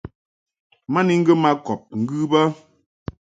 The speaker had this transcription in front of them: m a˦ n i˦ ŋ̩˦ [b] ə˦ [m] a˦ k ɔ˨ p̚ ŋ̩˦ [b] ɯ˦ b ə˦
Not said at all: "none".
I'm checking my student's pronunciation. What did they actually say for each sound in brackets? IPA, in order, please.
ɡ, m, ɡ

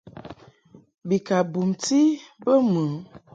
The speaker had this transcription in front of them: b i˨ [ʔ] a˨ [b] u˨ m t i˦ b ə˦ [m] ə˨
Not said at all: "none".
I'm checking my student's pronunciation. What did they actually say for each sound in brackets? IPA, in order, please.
k, b, m

